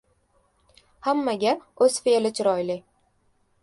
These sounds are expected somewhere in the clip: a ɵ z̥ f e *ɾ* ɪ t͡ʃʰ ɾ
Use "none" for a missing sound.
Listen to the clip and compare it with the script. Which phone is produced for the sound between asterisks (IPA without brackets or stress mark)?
l